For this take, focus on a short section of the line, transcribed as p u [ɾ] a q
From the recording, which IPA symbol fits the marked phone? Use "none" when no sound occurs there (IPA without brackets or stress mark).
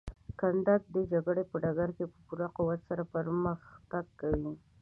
ɾ